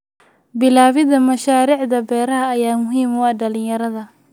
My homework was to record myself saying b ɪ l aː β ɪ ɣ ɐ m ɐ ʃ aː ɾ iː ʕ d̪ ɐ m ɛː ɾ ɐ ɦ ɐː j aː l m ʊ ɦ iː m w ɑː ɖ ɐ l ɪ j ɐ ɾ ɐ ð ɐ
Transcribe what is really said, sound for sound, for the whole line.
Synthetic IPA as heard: b ɪ l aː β ɪ ð ɐ m ɐ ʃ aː ɾ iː ʕ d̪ ɐ b ɛː ɾ ɐ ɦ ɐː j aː m ʊ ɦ iː m w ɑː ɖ ɐ l ɪ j ɐ ɾ ɐ ð ɐ